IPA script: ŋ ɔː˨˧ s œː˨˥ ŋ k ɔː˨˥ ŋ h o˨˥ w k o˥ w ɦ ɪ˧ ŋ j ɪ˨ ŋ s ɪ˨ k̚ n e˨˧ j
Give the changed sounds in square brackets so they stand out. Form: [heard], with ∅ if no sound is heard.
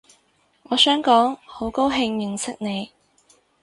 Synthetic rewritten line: ŋ ɔː˨˧ s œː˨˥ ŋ k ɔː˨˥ ŋ h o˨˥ w k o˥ w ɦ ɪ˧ ŋ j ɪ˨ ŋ s [ɪ˥] k̚ n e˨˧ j